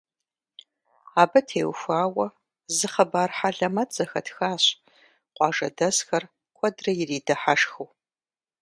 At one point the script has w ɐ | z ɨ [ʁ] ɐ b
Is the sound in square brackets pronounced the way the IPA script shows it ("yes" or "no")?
no